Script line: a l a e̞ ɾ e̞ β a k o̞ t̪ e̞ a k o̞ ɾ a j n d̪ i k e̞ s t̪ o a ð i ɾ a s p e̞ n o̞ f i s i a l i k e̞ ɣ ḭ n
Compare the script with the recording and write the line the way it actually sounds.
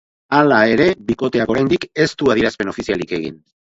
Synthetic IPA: a l a e̞ ɾ e̞ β i k o̞ t̪ e̞ a k o̞ ɾ a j n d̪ i k e̞ s t̪ u a ð i ɾ a s p e̞ n o̞ f i s i a l i k e̞ ɣ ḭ n